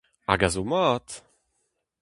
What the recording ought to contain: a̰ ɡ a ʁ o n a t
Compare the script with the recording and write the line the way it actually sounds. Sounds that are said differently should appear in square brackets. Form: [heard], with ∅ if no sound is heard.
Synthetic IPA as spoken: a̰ ɡ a [z] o [m] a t